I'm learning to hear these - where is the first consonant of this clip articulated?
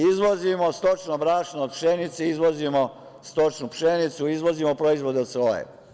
tongue tip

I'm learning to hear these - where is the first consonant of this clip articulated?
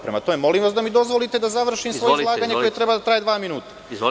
lips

